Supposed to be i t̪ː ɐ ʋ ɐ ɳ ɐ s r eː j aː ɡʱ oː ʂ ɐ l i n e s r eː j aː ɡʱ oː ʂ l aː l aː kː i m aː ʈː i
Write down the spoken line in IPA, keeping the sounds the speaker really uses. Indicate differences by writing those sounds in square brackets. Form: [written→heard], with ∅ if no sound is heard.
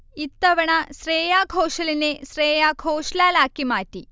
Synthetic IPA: i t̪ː ɐ ʋ ɐ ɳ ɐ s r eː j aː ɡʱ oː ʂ ɐ l i n e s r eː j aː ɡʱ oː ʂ l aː l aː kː i m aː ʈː i